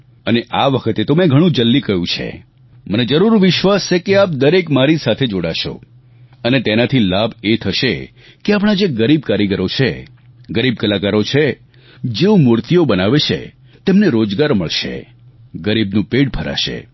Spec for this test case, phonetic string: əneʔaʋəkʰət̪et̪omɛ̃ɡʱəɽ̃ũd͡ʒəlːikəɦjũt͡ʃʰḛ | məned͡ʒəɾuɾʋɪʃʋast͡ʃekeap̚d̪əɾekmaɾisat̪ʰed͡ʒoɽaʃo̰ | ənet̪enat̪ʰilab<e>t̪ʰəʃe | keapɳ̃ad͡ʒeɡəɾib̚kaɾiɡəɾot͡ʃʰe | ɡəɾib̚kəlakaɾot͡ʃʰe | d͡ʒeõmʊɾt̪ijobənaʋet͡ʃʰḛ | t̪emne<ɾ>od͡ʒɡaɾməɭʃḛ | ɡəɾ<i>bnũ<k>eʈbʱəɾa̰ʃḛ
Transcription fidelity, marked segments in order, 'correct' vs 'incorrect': correct, correct, correct, incorrect

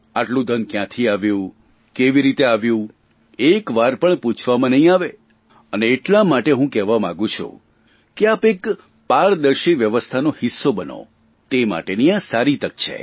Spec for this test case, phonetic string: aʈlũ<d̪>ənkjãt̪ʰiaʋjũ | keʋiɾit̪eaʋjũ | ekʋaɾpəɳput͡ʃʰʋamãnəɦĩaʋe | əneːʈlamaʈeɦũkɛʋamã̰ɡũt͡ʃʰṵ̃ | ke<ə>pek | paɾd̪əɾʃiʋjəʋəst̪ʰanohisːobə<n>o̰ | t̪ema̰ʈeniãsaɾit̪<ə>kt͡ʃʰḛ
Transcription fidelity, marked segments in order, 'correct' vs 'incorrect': correct, incorrect, correct, correct

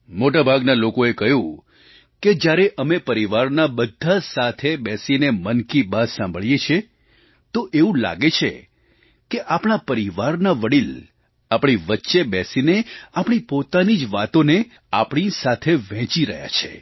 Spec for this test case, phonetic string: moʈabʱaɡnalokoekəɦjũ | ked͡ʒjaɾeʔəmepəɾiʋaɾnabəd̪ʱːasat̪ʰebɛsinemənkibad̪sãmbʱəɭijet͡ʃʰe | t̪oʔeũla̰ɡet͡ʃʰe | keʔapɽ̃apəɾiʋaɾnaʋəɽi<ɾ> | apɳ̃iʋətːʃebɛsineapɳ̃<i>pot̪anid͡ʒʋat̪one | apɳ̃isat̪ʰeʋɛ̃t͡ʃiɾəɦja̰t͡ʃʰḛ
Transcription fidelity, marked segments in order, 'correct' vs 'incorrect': incorrect, correct

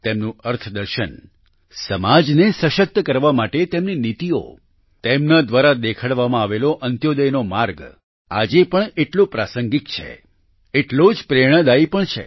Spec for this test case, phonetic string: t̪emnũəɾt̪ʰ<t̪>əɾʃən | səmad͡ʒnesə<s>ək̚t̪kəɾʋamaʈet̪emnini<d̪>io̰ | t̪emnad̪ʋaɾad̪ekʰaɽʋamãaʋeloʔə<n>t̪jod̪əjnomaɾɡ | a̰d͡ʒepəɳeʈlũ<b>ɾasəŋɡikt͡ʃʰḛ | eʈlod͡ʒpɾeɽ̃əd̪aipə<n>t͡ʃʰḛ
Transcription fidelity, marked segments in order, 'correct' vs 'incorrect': incorrect, incorrect, incorrect, correct, incorrect, incorrect

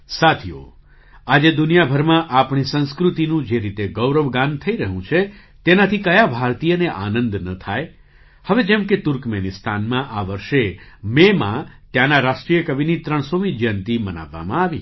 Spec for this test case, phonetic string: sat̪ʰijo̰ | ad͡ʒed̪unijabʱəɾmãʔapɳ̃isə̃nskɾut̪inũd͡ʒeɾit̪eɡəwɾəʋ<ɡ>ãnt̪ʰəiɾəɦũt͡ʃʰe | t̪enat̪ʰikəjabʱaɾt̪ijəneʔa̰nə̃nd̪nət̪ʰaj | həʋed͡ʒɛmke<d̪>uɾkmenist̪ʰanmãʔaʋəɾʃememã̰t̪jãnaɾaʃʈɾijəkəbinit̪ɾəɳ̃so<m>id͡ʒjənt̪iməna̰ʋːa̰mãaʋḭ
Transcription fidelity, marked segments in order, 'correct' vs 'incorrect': correct, incorrect, correct

